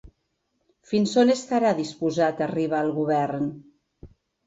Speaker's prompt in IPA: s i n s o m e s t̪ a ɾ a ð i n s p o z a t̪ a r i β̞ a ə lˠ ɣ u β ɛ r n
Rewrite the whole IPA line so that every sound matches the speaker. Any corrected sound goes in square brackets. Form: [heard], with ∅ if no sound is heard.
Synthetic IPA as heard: [f] i n s o [n] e s t̪ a ɾ a ð i [∅] s p [u] z a t̪ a r i β̞ a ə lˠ ɣ u β ɛ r n